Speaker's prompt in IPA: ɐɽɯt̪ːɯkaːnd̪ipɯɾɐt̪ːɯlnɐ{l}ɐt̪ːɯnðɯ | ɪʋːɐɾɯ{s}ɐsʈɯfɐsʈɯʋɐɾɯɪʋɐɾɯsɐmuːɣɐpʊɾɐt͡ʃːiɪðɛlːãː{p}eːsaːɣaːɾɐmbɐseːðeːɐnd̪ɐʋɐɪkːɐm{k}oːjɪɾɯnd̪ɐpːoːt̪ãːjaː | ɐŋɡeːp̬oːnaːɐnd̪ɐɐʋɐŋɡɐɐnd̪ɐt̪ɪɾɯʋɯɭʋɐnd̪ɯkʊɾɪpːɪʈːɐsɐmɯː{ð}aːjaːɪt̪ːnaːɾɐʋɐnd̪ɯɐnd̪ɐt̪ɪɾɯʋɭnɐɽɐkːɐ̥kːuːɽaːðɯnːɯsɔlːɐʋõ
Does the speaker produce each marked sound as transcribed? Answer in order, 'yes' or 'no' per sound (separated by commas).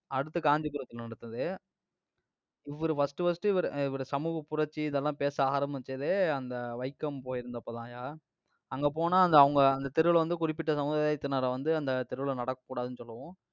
no, no, yes, no, yes